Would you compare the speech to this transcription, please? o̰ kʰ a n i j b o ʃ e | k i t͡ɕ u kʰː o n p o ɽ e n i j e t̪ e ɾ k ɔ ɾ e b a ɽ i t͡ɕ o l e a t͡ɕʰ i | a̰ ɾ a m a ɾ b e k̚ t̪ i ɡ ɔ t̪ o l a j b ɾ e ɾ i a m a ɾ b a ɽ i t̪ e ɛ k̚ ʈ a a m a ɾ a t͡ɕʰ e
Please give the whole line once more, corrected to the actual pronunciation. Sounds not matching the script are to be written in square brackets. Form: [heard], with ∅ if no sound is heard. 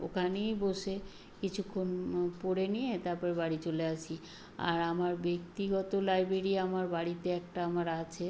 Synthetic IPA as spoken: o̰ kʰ a n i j b o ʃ e | k i [t͡ɕʰ] u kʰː o n p o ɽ e n i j e t̪ [a] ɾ [p] ɔ ɾ e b a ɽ i t͡ɕ o l e a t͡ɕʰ i | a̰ ɾ a m a ɾ b e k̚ t̪ i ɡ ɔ t̪ o l a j b ɾ e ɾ i a m a ɾ b a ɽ i t̪ e ɛ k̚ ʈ a a m a ɾ a t͡ɕʰ e